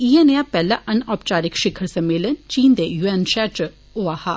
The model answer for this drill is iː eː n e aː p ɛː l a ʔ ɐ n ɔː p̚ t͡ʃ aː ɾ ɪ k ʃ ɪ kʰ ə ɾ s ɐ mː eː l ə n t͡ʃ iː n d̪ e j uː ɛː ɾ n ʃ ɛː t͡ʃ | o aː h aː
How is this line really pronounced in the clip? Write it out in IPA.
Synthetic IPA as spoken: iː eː n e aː p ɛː l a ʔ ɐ n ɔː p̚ t͡ʃ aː ɾ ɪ k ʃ ɪ kʰ ə ɾ s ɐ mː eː l ə n t͡ʃ iː n d̪ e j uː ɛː n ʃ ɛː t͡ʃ | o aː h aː